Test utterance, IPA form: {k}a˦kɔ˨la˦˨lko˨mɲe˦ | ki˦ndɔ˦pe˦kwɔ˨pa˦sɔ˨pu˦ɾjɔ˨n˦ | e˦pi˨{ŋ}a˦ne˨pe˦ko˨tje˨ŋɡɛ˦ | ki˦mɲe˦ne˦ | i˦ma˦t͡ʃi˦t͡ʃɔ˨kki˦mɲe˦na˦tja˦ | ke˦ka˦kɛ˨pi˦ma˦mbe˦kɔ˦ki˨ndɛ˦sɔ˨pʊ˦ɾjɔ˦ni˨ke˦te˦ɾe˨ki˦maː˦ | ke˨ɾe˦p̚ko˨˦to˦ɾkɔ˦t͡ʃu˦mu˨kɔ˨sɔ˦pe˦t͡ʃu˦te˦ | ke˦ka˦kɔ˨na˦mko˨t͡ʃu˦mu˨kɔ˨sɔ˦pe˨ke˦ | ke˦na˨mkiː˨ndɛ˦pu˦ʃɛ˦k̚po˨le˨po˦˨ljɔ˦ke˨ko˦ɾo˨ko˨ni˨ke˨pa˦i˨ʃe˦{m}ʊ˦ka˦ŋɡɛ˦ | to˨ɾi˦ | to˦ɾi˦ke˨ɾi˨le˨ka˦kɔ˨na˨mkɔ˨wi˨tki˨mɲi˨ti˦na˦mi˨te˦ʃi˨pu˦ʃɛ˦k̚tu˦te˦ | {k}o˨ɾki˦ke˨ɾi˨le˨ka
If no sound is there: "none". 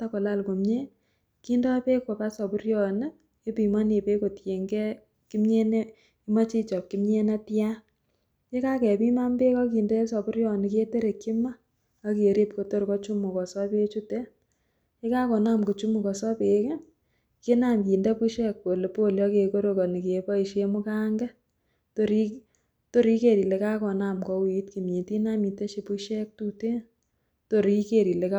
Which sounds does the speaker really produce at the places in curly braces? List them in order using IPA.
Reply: t, m, m, t

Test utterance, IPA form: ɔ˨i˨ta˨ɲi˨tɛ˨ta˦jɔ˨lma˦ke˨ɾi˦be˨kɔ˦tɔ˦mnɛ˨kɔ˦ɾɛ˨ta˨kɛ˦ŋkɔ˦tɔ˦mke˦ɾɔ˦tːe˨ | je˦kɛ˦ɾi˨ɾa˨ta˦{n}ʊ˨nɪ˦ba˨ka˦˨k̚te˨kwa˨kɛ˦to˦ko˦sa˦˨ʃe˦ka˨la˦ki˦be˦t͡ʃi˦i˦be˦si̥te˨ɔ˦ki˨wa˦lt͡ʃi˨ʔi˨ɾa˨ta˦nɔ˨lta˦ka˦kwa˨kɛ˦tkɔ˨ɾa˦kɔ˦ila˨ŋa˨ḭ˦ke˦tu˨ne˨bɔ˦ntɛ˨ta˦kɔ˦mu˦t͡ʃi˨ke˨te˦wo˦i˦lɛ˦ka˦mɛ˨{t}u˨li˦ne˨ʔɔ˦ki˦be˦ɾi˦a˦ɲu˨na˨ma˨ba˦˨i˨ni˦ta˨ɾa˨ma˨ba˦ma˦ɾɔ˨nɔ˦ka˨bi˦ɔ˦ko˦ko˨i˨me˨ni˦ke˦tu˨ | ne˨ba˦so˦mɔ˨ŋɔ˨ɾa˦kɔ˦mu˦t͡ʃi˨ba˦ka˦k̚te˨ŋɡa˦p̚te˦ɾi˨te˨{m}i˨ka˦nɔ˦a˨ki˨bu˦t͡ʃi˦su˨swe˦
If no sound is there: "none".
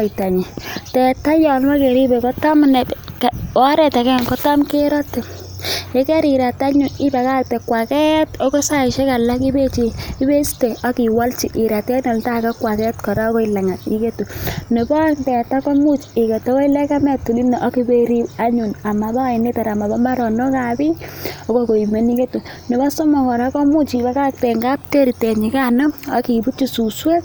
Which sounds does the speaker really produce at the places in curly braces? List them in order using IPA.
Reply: ɲ, t, ɲ

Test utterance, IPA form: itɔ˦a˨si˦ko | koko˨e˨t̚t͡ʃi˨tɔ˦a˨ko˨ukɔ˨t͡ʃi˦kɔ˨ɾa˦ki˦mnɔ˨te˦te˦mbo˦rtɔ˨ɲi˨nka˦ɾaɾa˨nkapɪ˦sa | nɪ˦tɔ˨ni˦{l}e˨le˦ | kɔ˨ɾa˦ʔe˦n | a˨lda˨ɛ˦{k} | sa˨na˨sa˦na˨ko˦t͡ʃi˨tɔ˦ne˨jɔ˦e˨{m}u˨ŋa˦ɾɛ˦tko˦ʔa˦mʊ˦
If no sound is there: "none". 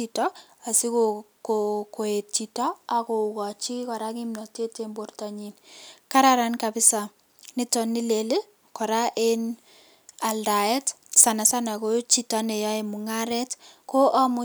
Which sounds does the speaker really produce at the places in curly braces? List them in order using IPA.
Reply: l, t, m

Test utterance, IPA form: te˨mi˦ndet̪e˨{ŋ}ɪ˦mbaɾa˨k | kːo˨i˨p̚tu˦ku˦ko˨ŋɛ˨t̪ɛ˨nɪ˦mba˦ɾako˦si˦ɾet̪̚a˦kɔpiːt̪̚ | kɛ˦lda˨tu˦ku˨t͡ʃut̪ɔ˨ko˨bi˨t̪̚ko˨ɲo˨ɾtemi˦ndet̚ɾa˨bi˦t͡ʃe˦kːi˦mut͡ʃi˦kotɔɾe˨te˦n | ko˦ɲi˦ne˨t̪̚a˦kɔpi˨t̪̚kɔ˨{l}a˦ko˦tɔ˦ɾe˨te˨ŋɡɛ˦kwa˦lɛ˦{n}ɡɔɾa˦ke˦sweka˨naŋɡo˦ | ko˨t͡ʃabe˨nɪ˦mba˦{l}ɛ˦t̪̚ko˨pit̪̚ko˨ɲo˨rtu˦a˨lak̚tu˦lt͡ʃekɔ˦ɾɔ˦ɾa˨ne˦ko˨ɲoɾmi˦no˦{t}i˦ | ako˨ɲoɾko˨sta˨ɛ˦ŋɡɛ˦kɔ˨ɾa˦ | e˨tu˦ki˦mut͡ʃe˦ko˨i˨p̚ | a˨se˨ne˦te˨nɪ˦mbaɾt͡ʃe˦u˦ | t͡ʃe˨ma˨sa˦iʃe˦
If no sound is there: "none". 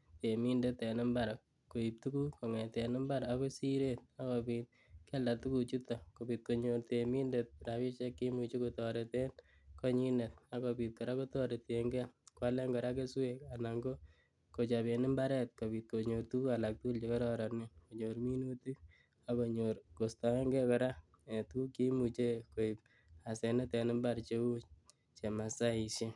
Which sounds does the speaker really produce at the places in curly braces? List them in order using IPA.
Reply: n, ɾ, ŋ, ɾ, t

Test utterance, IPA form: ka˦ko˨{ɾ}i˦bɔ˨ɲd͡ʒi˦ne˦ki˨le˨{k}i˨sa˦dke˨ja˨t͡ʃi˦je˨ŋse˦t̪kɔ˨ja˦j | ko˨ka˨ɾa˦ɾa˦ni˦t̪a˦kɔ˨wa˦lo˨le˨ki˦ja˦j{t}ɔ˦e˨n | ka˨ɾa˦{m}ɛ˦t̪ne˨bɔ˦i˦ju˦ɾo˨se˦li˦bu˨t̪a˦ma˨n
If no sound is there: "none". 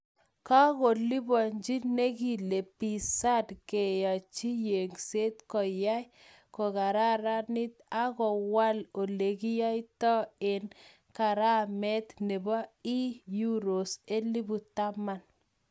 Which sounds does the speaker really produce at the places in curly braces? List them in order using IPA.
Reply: l, p, t, m

